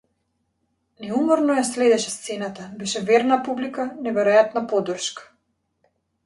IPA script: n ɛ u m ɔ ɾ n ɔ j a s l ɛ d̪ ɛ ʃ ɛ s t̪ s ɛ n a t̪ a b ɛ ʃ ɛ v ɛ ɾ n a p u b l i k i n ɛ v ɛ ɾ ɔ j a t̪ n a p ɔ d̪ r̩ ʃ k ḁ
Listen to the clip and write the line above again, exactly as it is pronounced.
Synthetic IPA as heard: n ɛ u m ɔ ɾ n ɔ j a s l ɛ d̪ ɛ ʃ ɛ s t̪ s ɛ n a t̪ a b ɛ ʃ ɛ v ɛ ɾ n a p u b l i k a n ɛ v ɛ ɾ ɔ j a t̪ n a p ɔ d̪ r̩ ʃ k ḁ